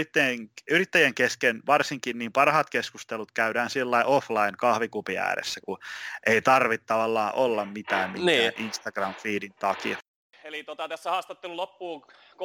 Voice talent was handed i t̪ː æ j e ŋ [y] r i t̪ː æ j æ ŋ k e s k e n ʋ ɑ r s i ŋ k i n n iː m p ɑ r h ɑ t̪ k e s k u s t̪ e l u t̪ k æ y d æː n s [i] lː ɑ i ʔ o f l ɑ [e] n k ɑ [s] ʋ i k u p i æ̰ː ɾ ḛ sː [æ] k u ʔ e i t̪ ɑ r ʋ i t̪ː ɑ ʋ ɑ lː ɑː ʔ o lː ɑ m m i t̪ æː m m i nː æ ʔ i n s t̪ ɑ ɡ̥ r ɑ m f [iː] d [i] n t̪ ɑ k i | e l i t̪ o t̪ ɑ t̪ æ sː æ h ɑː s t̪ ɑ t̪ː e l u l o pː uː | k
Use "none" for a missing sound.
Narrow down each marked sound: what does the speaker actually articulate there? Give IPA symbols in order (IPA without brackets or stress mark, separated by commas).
y, i, i, h, æ, iː, i